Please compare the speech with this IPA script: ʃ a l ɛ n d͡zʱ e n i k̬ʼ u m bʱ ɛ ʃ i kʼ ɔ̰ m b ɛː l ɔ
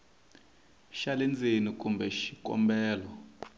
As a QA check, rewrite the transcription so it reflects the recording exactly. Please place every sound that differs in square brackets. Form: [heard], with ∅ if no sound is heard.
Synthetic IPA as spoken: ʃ a l ɛ n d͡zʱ e n i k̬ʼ u m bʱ ɛ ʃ i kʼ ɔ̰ m b ɛː l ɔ